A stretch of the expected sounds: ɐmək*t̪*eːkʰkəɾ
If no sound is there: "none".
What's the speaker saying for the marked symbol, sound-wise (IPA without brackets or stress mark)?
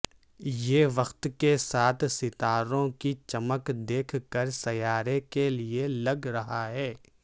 d̪